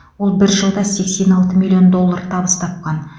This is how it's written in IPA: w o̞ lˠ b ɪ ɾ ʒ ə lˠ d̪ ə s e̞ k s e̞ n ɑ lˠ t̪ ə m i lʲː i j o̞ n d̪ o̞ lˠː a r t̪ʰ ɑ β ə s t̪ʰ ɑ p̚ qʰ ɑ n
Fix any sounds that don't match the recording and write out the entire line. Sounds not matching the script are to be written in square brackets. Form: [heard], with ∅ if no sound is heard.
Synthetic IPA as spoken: w o̞ lˠ b ɪ ɾ ʒ ə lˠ d̪ [ɑ] s e̞ k s e̞ n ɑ lˠ t̪ ə m i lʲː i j o̞ n d̪ o̞ lˠː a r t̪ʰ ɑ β ə s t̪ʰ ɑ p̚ [q] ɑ n